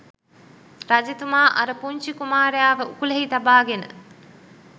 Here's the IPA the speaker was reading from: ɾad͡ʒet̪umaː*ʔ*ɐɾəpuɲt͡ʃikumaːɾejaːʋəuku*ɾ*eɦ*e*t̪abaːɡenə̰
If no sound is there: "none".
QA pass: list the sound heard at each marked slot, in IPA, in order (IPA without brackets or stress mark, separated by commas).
ʔ, l, i